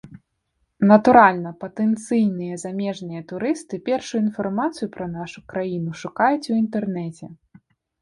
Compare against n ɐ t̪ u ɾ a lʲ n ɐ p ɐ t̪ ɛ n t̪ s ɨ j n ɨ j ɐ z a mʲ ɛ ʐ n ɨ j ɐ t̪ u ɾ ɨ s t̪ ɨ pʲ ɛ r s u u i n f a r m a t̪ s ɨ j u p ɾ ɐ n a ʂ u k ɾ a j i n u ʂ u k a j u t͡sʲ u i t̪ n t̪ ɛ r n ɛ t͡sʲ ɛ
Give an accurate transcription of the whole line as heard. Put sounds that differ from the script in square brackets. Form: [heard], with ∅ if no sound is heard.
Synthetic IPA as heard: n ɐ t̪ u ɾ a lʲ n ɐ p ɐ t̪ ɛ n t̪ s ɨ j n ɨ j ɐ z a mʲ ɛ ʐ n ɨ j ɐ t̪ u ɾ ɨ s t̪ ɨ pʲ ɛ r [ʂ] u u i n f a r m a t̪ s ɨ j u p ɾ ɐ n a ʂ u k ɾ a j i n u ʂ u k a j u t͡sʲ u i [∅] n t̪ ɛ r n ɛ t͡sʲ ɛ